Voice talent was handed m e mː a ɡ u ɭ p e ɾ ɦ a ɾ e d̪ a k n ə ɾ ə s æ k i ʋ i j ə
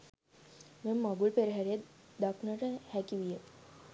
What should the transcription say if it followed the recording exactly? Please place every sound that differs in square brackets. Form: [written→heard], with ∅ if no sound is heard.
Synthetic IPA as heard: m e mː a ɡ u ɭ p e ɾ ɦ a ɾ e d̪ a k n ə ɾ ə [s→h] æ k i ʋ i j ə